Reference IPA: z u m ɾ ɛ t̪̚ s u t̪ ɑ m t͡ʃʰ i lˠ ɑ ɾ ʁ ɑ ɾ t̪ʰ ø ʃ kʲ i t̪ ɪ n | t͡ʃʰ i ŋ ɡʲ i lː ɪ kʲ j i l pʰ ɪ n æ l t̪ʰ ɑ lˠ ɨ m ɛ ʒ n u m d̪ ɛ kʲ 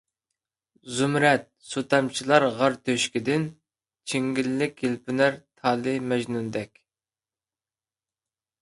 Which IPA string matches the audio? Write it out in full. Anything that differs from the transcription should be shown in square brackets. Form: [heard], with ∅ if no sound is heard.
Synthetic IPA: z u m ɾ ɛ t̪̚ s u t̪ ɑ m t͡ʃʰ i lˠ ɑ ɾ ʁ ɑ ɾ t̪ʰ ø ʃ kʲ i [d̪] ɪ n | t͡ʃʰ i ŋ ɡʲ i lː ɪ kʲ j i l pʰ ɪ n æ [ɾ] t̪ʰ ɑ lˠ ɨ m ɛ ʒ n u [n] d̪ ɛ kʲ